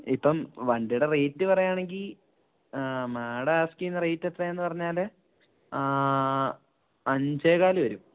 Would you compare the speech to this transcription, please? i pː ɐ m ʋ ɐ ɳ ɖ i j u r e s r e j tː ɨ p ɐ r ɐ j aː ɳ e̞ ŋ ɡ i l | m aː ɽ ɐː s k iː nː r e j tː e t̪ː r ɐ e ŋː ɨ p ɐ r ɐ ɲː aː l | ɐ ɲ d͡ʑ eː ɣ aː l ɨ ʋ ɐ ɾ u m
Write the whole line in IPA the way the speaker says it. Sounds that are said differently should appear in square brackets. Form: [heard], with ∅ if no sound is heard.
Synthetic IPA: i pː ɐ m ʋ ɐ ɳ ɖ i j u [ɽ] e [∅] r e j tː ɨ p ɐ r ɐ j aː ɳ e̞ ŋ ɡ i l | m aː ɽ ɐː s k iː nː r e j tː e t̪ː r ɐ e [nː] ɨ p ɐ r ɐ ɲː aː l | ɐ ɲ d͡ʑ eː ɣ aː l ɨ ʋ ɐ ɾ u m